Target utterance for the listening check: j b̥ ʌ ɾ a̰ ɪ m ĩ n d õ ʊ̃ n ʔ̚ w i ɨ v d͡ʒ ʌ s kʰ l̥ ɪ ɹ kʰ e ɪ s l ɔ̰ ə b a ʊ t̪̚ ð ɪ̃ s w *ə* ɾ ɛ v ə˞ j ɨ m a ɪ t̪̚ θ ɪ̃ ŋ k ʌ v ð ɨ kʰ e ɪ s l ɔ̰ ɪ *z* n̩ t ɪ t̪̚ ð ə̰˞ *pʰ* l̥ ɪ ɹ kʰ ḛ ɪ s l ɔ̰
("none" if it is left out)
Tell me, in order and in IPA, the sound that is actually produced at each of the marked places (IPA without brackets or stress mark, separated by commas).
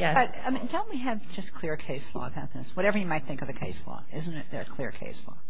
ʌ, z, kʰ